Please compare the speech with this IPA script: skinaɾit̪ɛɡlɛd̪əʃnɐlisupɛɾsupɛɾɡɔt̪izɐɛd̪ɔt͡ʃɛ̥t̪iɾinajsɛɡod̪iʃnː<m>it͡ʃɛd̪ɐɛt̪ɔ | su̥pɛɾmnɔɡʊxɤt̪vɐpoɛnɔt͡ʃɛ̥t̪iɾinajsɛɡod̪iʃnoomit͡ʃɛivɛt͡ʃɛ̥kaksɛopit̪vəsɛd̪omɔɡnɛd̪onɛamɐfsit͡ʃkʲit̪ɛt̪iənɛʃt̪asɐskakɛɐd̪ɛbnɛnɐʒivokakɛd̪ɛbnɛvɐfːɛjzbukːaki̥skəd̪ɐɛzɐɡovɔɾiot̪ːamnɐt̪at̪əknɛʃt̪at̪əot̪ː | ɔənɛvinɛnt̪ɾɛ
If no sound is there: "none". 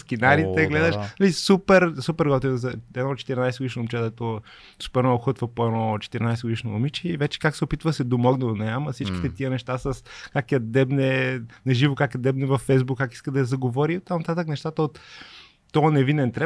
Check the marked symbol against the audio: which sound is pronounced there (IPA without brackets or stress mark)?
m